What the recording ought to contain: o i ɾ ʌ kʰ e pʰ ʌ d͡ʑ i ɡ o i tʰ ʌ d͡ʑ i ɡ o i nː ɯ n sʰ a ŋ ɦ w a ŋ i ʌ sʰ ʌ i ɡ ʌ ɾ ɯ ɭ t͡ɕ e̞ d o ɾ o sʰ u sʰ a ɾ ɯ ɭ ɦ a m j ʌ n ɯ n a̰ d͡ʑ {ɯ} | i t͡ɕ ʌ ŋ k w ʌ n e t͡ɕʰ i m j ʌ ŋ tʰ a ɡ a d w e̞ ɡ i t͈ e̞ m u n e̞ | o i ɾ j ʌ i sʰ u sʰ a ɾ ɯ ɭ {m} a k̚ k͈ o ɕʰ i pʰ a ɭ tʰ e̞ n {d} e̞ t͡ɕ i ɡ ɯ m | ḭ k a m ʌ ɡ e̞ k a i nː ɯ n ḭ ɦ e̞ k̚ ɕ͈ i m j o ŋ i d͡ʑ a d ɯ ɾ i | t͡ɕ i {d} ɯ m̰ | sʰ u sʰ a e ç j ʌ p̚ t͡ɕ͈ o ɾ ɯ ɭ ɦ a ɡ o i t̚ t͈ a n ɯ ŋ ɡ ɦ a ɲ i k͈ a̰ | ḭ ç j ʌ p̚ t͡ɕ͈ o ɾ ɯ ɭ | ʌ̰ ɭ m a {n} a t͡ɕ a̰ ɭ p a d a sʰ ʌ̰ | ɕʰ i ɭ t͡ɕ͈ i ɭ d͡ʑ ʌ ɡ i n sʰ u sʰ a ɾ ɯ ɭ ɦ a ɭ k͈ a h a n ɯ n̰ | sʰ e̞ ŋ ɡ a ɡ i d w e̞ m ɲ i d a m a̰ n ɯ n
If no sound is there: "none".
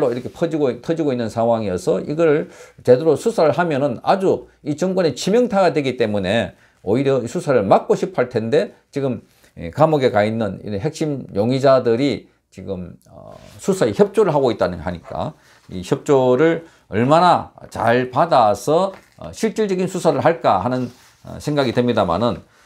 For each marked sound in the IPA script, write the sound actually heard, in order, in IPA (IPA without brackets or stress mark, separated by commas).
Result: u, m, d, ɡ, n